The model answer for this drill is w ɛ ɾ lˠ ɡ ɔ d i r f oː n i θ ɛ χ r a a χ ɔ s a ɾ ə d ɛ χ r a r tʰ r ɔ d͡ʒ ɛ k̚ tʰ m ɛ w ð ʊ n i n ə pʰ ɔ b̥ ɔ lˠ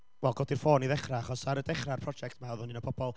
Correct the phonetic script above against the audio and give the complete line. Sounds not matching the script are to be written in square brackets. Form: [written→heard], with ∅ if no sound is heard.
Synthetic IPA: w ɛ [ɾ→∅] lˠ ɡ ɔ d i r f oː n i [θ→ð] ɛ χ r a a χ ɔ s a ɾ ə d ɛ χ r a r [tʰ→pʰ] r ɔ d͡ʒ ɛ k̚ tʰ m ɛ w ð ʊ n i n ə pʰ ɔ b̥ ɔ lˠ